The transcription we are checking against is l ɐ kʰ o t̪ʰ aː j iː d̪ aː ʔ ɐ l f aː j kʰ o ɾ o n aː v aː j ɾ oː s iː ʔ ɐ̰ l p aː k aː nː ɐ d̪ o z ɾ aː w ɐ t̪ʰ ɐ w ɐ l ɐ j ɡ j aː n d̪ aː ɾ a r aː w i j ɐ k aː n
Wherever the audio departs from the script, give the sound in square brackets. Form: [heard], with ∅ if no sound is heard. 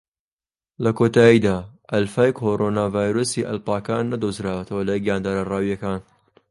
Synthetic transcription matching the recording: l ɐ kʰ o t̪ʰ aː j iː d̪ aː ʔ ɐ l f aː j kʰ o ɾ o n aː v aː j ɾ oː s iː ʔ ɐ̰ l p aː k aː nː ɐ d̪ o z ɾ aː w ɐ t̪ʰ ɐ w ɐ l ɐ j ɡ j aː n d̪ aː ɾ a r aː w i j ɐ k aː n